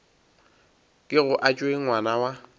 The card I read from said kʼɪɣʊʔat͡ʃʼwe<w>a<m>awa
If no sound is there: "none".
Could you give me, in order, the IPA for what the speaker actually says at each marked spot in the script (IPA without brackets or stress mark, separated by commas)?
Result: w, n